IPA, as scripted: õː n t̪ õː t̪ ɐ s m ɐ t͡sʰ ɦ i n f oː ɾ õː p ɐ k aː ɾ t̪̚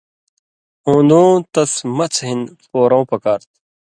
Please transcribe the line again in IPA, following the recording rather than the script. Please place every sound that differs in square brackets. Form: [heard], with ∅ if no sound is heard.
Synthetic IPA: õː n [d̪] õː t̪ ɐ s m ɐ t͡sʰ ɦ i n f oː ɾ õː p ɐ k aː ɾ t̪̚

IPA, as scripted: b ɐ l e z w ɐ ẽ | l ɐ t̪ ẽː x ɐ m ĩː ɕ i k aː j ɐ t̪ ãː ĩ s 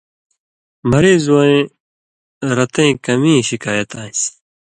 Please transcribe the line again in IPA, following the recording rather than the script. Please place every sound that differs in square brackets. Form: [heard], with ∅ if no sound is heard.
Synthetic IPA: [m] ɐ [ɾ] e z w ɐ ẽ | [ɾ] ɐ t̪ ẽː [k] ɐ m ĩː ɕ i k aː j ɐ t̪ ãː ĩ s

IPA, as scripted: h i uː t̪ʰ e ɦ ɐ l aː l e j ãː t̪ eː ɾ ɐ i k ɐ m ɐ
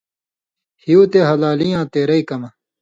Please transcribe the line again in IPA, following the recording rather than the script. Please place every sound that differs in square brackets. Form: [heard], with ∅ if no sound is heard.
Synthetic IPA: h i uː [t̪] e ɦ ɐ l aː l [i] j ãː t̪ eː ɾ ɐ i k ɐ m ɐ

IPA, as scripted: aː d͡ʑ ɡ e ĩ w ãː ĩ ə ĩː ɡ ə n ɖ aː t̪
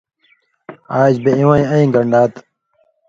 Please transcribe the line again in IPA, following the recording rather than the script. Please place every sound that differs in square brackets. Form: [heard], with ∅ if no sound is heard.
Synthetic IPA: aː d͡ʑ [b] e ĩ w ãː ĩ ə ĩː ɡ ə [ɳ] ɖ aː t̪

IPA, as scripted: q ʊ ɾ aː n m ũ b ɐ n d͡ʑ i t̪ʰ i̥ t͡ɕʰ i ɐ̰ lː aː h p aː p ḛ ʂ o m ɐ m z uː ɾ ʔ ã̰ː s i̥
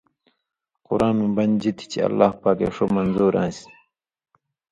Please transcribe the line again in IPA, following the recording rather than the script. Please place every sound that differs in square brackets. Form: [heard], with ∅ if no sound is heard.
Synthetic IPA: q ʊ ɾ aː n m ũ b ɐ n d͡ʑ i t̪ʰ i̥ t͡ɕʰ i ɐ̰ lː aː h p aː [k] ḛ ʂ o m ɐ [n] z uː ɾ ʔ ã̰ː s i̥

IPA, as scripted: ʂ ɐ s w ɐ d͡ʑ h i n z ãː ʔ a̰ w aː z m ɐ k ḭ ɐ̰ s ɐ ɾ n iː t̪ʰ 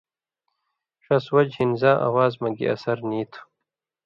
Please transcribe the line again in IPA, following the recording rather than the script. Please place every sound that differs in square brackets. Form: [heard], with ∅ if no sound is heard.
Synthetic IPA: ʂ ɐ s w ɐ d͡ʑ h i n z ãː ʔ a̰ w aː z m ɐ [ɡ] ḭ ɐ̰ s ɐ ɾ n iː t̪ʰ

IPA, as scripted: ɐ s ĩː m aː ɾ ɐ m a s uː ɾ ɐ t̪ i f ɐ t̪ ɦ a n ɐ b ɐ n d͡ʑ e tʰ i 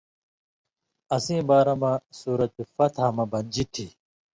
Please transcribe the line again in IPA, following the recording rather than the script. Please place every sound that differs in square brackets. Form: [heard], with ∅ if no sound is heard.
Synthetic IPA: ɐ s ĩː [b] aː ɾ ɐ m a s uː ɾ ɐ t̪ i f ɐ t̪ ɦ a [m] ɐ b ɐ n d͡ʑ [i] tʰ i

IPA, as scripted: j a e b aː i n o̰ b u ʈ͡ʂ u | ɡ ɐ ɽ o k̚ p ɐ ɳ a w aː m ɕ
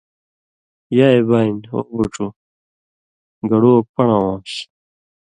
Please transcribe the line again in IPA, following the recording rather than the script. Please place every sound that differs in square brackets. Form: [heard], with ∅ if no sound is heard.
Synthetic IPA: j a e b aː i n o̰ b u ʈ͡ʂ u | ɡ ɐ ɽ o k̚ p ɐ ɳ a w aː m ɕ

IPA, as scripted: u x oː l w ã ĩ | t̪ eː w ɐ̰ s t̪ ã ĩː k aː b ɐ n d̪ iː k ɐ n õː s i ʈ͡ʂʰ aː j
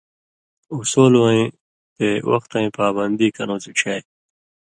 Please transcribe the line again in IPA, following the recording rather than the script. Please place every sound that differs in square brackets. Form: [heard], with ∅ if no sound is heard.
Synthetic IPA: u [s] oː l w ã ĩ | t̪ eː w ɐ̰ [x] t̪ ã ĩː [p] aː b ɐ n d̪ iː k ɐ n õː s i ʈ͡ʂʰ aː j

